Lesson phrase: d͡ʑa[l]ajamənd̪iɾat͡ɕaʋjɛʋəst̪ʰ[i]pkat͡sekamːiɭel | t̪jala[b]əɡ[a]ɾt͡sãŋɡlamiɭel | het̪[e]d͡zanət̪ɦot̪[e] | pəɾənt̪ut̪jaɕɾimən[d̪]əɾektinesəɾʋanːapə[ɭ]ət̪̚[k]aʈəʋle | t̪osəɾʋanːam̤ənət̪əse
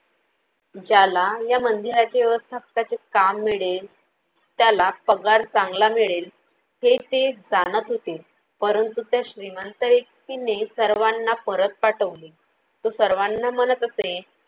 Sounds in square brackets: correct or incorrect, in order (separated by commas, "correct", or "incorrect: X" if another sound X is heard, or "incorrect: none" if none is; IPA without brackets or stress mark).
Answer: correct, incorrect: a, incorrect: p, correct, correct, correct, incorrect: t̪, incorrect: ɾ, incorrect: p